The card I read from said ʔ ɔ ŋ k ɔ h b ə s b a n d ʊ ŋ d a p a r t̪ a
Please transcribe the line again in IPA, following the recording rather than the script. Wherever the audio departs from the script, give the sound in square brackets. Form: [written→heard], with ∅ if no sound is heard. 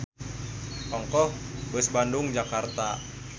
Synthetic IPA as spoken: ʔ ɔ ŋ k ɔ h b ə s b a n d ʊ ŋ [d→d͡ʒ] a [p→k] a r t̪ a